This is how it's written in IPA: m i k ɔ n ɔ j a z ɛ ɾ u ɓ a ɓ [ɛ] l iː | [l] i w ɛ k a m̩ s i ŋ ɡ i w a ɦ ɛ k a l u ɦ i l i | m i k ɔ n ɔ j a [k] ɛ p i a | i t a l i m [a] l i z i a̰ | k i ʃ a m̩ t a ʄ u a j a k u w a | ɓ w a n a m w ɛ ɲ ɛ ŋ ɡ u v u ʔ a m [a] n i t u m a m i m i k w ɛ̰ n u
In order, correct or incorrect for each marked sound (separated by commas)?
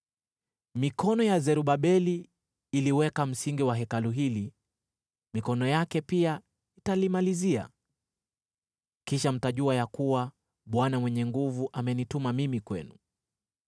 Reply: correct, correct, correct, correct, incorrect